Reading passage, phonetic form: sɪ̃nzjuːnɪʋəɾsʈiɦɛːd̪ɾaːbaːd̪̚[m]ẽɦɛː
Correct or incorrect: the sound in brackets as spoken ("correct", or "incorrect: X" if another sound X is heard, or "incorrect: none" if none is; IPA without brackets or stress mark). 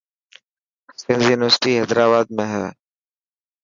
correct